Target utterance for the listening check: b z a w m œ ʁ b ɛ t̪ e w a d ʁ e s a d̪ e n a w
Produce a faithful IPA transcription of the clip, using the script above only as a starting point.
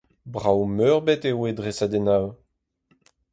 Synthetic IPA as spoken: b ʁ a w m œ ʁ b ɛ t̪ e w e d ʁ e s a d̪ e n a w

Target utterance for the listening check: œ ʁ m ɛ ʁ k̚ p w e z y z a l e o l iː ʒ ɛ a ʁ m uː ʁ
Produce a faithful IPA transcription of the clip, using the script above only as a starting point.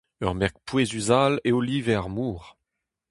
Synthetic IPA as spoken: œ ʁ m ɛ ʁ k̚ p w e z y z a l e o l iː v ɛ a ʁ m uː ʁ

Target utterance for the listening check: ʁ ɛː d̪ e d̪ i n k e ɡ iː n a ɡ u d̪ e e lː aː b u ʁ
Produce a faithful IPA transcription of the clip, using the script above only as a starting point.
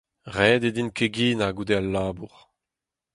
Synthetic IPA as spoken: ʁ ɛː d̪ e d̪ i n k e ɡ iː n a ɡ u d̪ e a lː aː b u ʁ

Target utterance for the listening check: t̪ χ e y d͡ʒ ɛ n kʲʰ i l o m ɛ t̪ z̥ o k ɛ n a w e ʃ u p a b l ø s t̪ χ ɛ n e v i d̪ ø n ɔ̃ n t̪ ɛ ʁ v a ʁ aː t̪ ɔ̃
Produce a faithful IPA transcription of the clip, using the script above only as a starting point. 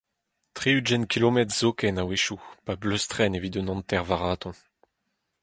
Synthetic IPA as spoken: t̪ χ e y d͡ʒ ɛ n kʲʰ i l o m ɛ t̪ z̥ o k ɛ n a w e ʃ u p a b l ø s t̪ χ ɛ n e v i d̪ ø n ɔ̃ n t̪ ɛ ʁ v a ʁ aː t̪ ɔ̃

